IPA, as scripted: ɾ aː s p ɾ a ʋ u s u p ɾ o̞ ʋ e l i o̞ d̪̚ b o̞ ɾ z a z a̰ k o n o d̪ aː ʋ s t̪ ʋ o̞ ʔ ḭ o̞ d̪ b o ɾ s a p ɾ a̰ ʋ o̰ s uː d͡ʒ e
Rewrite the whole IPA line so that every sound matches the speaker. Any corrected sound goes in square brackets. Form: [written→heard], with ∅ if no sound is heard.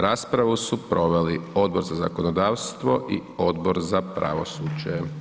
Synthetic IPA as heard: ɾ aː s p ɾ a ʋ u s u p ɾ o̞ ʋ e l i o̞ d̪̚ b o̞ ɾ z a z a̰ k o n o d̪ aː ʋ s t̪ ʋ o̞ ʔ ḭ o̞ d̪ b o ɾ [s→z] a p ɾ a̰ ʋ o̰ s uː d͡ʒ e